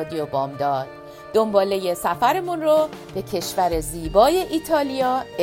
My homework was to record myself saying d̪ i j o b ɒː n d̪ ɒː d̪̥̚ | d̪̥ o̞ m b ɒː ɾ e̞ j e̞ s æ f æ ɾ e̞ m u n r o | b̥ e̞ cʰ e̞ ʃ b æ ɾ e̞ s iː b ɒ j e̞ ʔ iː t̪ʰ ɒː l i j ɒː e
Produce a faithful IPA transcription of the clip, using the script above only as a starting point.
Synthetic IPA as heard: d̪ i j o b ɒː m d̪ ɒː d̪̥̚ | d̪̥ o̞ m b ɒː l e̞ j e̞ s æ f æ ɾ e̞ m u n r o | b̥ e̞ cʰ e̞ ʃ v æ ɾ e̞ z iː b ɒː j e̞ ʔ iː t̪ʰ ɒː l i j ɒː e